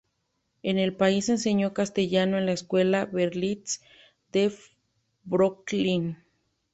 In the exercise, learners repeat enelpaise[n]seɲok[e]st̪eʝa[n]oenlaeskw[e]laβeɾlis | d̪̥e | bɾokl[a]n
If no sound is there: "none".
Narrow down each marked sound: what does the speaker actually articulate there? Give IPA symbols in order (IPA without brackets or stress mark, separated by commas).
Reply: n, a, n, e, i